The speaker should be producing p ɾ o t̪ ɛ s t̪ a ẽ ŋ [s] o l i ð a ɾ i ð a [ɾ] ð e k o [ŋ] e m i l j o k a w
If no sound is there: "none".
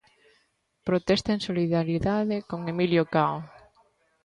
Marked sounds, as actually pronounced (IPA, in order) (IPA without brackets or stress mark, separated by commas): s, none, ŋ